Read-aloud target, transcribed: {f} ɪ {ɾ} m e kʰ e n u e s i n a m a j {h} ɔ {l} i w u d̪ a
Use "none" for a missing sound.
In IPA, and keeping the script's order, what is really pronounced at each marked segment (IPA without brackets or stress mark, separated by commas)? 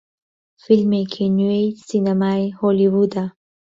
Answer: f, l, h, l